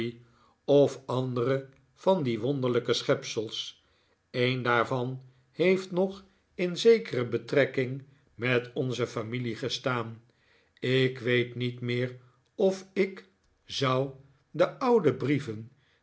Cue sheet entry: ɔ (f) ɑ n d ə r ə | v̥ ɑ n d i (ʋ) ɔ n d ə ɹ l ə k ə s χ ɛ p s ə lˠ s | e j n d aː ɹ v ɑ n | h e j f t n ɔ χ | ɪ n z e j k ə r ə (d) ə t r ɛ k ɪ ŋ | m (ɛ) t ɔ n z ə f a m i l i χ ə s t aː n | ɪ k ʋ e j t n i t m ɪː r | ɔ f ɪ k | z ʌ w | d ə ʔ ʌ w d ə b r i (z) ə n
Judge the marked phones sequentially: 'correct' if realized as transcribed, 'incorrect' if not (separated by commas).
correct, correct, incorrect, correct, incorrect